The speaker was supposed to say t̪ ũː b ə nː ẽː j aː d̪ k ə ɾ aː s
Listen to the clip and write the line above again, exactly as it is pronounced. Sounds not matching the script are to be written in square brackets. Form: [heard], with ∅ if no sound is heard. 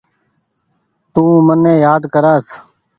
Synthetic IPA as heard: t̪ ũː [m] ə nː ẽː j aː d̪ k ə ɾ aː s